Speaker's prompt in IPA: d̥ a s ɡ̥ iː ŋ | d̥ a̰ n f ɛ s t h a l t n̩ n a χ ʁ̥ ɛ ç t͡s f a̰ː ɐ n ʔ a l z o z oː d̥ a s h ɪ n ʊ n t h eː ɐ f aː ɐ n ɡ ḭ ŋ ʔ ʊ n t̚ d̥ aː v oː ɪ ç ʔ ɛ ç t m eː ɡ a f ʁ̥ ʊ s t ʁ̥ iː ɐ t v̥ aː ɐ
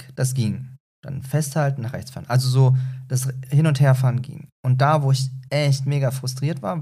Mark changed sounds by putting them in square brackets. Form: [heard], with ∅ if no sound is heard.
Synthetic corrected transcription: d̥ a s ɡ̥ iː ŋ | d̥ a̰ n f ɛ s t h a l t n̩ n a χ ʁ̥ ɛ ç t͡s f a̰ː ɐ n ʔ a l z o z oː d̥ a s h ɪ n ʊ n t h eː ɐ f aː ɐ n ɡ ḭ ŋ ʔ ʊ n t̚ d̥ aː v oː ɪ ç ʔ ɛ ç t m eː ɡ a f ʁ̥ ʊ s t ʁ̥ iː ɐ t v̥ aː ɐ